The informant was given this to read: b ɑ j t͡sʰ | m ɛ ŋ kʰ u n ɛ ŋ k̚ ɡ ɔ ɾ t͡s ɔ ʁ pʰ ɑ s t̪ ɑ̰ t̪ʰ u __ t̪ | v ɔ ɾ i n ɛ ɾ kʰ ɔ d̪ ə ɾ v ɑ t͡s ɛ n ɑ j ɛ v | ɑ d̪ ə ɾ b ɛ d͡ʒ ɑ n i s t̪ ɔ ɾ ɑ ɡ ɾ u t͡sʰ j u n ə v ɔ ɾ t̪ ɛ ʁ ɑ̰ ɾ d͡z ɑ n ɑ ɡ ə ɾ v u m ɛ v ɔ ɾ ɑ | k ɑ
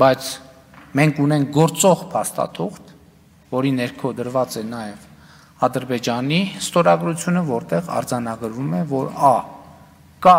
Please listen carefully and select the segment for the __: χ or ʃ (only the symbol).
χ